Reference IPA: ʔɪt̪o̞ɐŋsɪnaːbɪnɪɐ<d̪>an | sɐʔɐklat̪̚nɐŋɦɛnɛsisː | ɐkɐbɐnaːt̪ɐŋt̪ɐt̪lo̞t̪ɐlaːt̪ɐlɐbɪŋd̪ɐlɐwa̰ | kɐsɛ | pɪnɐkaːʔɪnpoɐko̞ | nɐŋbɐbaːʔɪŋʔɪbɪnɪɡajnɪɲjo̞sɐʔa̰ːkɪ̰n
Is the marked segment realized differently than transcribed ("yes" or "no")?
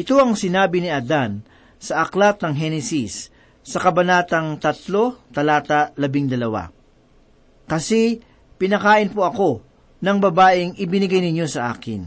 no